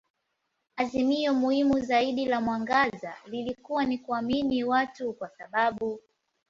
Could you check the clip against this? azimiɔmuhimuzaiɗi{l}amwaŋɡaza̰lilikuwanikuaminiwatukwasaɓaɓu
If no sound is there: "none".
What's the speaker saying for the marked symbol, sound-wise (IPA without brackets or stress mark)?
l